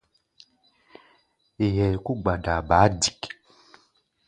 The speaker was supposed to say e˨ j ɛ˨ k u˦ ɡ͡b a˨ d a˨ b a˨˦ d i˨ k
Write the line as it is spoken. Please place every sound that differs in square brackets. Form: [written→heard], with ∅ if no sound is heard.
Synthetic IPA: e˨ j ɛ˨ k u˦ ɡ͡b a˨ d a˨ b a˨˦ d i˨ k